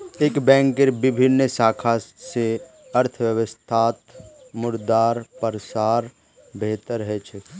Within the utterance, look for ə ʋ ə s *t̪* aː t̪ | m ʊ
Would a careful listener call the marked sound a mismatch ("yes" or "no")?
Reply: yes